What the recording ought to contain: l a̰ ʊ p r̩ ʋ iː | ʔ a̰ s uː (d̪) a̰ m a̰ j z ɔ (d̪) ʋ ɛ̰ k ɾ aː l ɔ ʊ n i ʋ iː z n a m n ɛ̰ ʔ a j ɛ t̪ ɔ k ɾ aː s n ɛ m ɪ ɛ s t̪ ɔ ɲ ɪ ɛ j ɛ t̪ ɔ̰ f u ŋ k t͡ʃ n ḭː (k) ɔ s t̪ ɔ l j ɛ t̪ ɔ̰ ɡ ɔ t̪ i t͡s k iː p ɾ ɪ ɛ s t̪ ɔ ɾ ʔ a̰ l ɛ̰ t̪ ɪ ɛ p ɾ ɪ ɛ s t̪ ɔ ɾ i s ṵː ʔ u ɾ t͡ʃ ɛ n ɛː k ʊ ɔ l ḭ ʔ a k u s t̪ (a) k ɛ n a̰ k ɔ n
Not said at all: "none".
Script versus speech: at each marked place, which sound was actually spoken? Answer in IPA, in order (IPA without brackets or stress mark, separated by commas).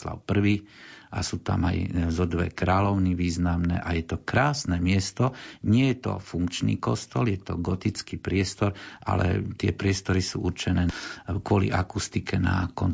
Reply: t̪, d̪, k, i